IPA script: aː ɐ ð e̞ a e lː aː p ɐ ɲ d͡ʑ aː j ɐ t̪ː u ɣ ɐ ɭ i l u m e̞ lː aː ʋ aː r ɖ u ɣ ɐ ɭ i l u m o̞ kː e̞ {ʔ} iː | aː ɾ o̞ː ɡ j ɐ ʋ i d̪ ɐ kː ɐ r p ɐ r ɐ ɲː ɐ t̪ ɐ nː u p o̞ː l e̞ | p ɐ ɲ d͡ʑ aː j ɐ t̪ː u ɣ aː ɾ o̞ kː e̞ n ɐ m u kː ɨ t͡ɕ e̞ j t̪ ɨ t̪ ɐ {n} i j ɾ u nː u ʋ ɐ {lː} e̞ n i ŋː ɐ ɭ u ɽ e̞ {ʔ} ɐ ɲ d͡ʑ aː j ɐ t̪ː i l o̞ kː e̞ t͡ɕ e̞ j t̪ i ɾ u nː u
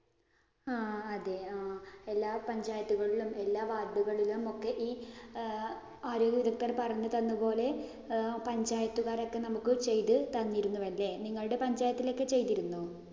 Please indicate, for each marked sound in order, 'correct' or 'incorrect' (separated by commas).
correct, incorrect, correct, incorrect